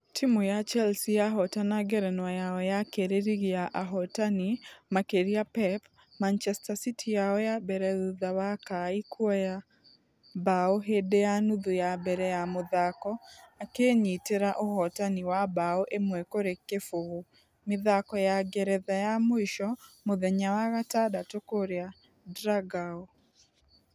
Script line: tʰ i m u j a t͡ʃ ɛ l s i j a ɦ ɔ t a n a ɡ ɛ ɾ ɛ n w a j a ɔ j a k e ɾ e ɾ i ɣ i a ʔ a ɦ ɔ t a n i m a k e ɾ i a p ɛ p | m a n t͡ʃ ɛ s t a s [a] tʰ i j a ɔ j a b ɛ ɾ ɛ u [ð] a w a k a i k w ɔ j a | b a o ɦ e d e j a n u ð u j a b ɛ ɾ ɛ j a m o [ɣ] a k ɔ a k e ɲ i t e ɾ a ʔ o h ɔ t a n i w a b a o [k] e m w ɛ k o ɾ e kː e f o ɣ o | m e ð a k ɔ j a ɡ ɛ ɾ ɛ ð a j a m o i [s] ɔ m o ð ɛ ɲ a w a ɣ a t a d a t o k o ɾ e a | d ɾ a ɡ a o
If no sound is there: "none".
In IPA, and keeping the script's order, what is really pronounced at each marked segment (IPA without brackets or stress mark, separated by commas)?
i, ð, ð, ʔ, ʃ